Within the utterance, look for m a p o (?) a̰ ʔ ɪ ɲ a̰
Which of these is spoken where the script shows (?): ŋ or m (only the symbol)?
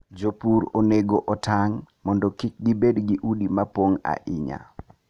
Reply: ŋ